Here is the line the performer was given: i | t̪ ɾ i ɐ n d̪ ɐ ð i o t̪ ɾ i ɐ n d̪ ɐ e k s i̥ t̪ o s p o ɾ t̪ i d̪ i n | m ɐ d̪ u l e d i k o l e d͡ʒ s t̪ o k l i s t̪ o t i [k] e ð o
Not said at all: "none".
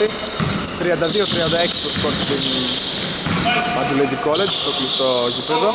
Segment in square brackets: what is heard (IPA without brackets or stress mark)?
p